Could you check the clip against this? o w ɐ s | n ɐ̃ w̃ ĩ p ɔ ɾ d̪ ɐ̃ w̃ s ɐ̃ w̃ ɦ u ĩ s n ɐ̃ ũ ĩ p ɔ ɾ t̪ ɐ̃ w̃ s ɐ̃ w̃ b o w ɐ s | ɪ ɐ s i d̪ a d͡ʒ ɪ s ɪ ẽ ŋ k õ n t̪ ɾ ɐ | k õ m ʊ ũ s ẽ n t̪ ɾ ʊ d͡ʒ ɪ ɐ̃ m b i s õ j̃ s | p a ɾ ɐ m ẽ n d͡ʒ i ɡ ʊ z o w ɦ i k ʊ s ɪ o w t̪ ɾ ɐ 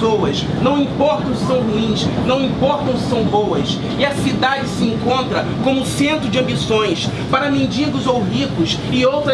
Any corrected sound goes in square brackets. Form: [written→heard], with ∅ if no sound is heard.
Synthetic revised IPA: o w ɐ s | n ɐ̃ w̃ ĩ p ɔ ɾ [d̪→t̪] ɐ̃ w̃ s ɐ̃ w̃ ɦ u ĩ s n ɐ̃ [ũ→w̃] ĩ p ɔ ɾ t̪ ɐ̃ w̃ s ɐ̃ w̃ b o w ɐ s | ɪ ɐ s i d̪ a d͡ʒ ɪ s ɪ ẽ ŋ k õ n t̪ ɾ ɐ | k õ m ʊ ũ s ẽ n t̪ ɾ ʊ d͡ʒ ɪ ɐ̃ m b i s õ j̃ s | p a ɾ ɐ m ẽ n d͡ʒ i ɡ ʊ z o w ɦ i k ʊ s ɪ o w t̪ ɾ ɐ